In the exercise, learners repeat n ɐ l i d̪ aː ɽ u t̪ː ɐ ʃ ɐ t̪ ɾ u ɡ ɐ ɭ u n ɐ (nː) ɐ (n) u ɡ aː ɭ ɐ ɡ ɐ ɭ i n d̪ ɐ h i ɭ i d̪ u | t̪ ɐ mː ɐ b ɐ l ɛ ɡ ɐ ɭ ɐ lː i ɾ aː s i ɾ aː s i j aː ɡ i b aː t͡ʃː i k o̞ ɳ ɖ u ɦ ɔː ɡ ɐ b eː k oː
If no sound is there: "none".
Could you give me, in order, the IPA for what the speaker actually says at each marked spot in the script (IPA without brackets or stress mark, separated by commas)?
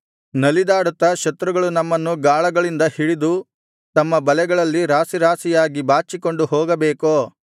mː, nː